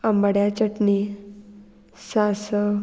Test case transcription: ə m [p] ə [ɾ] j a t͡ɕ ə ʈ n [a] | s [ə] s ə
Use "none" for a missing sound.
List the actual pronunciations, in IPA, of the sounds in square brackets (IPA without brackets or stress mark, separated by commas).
b, ɽ, i, a